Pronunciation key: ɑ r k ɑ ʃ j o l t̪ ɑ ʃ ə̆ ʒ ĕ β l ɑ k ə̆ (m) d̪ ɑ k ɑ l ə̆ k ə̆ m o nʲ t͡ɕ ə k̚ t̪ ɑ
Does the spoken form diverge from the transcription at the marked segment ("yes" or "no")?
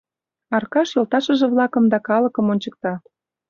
no